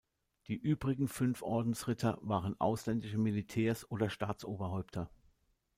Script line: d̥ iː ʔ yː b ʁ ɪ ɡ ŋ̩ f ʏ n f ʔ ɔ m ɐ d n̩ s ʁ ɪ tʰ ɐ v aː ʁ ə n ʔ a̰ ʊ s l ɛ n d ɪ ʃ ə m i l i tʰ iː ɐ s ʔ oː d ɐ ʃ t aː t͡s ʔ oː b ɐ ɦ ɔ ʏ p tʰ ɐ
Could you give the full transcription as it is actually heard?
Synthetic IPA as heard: d̥ iː ʔ yː b ʁ ɪ ɡ ŋ̩ f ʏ n f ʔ ɔ ɐ d n̩ s ʁ ɪ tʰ ɐ v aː ʁ ə n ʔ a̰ ʊ s l ɛ n d ɪ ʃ ə m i l i tʰ ɛː ɐ s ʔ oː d ɐ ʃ t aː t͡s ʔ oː b ɐ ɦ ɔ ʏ p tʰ ɐ